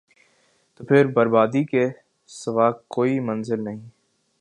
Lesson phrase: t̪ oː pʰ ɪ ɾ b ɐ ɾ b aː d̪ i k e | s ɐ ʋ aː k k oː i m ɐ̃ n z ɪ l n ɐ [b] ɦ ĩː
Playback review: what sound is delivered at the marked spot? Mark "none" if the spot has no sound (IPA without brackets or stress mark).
none